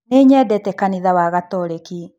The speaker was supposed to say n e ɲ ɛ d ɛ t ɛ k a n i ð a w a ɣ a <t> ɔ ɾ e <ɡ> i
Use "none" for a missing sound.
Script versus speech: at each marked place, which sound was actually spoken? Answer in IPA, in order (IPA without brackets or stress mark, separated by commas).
t, k